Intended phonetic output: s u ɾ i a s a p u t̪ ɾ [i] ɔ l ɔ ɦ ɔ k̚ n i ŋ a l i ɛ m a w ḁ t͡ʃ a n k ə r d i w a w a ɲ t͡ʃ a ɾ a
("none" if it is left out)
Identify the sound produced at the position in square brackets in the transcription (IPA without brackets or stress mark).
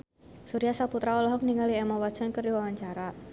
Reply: a